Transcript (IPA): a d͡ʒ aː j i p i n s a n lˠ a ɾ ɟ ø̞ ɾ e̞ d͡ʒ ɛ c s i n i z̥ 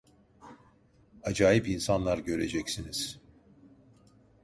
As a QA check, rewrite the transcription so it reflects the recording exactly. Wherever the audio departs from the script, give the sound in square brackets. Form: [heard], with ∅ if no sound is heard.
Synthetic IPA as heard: a d͡ʒ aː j i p i n s a n lˠ a ɾ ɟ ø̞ ɾ e̞ d͡ʒ ɛ c s i n i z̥